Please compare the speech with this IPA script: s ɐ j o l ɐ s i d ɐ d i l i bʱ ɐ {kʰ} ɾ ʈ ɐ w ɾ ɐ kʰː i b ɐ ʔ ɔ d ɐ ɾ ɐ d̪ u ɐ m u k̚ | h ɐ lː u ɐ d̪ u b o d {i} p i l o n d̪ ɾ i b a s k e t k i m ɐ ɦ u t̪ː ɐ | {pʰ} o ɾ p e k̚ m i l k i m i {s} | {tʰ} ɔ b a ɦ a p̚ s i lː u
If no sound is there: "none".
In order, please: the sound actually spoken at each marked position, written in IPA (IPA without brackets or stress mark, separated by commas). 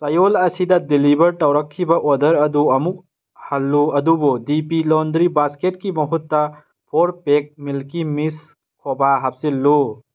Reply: none, i, pʰ, s, kʰ